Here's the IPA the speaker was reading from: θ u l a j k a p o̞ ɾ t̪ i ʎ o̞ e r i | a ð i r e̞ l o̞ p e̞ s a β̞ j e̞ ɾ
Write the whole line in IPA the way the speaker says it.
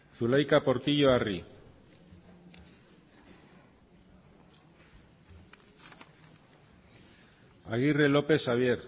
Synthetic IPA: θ u l a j k a p o̞ ɾ t̪ i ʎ o̞ a r i | a ɣ i r e̞ l o̞ p e̞ s a β̞ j e̞ ɾ